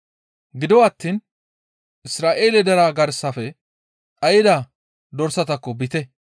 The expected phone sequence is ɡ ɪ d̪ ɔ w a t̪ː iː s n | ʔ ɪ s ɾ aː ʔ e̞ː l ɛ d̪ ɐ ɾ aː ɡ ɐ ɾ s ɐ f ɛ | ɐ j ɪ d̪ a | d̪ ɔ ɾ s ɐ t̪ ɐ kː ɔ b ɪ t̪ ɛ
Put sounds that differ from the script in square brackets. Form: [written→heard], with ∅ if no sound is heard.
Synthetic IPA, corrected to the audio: ɡ ɪ d̪ ɔ w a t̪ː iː [s→∅] n | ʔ ɪ s ɾ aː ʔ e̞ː l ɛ d̪ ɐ ɾ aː ɡ ɐ ɾ s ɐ f ɛ | ɐ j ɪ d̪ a | d̪ ɔ ɾ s ɐ t̪ ɐ kː ɔ b ɪ t̪ ɛ